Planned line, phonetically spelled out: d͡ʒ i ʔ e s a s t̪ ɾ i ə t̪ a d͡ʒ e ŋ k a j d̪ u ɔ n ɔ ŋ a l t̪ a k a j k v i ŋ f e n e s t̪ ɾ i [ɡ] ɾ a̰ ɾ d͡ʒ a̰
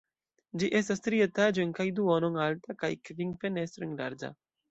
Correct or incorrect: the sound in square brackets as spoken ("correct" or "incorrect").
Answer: incorrect